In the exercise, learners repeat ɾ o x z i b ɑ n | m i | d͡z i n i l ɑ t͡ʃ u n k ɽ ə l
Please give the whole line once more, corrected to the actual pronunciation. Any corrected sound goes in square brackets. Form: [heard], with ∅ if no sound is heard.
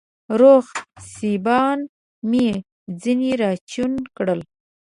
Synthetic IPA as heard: ɾ o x [s] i b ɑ n | m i | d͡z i n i [ɾ] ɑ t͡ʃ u n k ɽ ə l